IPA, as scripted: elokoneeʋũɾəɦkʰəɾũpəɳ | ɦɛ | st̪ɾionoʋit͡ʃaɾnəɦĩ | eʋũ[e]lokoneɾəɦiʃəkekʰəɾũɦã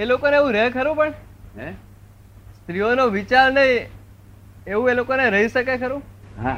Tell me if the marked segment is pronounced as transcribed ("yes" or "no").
yes